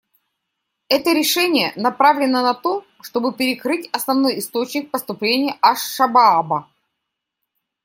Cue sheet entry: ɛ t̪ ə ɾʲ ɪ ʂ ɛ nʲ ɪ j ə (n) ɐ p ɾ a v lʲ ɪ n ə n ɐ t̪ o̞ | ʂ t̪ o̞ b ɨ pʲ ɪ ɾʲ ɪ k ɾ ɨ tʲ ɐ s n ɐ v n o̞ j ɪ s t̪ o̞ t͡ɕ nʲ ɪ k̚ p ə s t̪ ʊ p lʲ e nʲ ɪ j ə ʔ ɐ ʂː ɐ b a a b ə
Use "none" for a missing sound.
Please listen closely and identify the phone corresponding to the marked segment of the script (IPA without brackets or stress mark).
n